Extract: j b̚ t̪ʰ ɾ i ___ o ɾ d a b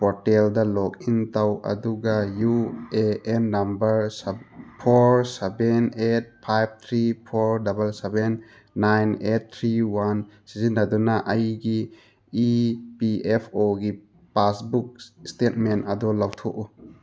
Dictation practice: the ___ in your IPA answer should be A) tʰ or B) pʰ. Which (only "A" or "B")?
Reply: B